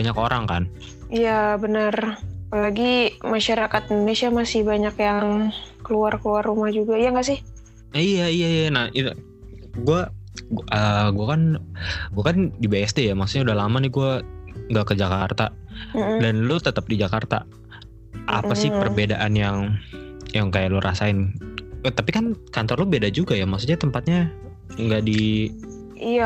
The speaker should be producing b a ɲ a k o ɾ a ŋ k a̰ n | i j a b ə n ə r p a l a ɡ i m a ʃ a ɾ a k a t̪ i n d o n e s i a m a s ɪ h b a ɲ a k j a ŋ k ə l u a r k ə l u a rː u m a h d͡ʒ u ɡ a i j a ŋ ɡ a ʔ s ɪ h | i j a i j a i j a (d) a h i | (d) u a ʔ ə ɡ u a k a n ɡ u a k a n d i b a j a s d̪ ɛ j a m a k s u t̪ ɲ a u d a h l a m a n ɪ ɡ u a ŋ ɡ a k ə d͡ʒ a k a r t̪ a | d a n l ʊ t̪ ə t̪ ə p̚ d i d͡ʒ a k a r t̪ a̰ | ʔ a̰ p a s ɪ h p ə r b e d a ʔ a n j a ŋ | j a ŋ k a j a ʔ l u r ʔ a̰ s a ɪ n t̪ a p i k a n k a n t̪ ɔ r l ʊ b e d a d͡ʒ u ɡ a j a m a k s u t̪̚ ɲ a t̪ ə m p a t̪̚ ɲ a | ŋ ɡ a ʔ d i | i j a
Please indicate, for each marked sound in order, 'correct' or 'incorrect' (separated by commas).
incorrect, incorrect